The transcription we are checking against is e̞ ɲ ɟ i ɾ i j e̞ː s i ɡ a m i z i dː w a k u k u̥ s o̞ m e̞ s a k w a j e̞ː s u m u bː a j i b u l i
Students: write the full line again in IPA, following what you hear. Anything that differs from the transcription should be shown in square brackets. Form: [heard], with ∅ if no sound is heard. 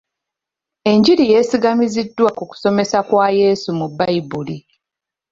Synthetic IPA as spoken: e̞ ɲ ɟ i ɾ i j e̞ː s i ɡ a m i z i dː w a k u k u̥ s o̞ m e̞ s a k w a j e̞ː s u m u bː a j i b u l i